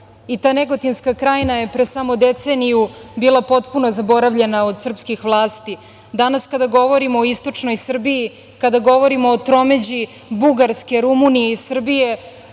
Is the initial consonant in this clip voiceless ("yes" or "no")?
yes